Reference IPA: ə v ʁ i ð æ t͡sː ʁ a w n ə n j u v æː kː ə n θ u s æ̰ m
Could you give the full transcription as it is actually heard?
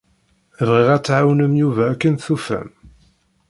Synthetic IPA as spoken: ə v ʁ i ʁ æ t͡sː ʕ a w n ə m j u v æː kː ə n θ u f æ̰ m